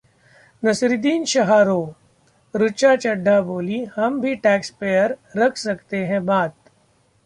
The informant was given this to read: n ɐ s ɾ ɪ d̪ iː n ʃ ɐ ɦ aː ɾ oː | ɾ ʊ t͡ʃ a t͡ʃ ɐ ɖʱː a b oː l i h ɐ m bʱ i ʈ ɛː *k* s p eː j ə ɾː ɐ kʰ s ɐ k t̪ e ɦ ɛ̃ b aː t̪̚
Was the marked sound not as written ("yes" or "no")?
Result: no